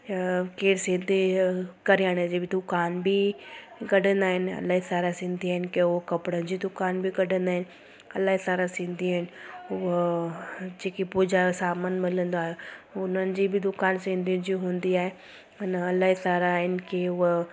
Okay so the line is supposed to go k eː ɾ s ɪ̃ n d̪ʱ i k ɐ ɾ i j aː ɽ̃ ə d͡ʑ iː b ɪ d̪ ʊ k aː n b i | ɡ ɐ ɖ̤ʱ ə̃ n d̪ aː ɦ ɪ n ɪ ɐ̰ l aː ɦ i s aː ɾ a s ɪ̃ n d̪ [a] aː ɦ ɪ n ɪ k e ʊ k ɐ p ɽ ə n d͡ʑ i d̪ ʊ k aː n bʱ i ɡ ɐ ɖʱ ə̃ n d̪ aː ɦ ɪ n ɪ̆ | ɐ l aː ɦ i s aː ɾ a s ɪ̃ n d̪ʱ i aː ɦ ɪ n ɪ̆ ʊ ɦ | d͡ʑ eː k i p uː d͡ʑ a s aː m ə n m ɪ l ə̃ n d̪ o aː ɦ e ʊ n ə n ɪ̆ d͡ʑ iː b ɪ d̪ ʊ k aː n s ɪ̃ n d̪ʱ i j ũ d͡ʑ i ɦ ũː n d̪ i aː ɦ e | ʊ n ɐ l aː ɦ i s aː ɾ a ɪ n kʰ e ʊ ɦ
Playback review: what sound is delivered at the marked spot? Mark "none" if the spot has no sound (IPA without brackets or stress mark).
i